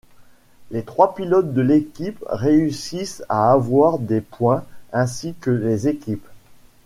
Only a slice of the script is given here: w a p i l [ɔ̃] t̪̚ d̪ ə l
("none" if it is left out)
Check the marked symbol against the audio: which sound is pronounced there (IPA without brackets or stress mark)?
ɔ